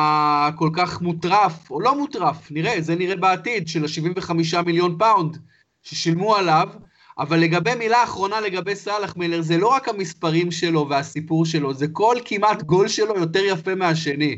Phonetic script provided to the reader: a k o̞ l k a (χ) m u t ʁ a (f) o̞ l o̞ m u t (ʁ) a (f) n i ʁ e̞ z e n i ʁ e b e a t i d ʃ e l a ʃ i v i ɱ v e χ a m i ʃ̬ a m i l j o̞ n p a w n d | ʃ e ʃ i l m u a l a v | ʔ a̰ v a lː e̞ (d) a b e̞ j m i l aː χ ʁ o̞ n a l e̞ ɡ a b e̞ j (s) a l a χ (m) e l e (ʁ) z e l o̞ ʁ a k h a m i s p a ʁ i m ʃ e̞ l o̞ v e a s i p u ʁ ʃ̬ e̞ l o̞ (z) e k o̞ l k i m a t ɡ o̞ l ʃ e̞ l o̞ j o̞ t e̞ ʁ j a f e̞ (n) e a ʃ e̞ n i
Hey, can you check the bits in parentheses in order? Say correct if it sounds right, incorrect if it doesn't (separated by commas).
correct, correct, correct, correct, incorrect, correct, correct, correct, correct, incorrect